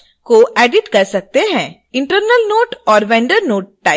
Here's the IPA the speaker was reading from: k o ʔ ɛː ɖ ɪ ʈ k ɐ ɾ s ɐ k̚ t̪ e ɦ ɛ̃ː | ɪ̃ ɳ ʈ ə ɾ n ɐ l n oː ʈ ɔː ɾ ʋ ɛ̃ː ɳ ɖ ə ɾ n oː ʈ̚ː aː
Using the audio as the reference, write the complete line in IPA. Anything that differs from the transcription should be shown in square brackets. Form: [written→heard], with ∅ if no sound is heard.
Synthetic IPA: k o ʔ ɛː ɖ ɪ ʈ k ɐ ɾ s ɐ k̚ t̪ e ɦ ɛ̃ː | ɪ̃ ɳ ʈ ə ɾ n [ɐ→ə] l n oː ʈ ɔː ɾ ʋ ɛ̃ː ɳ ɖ ə ɾ n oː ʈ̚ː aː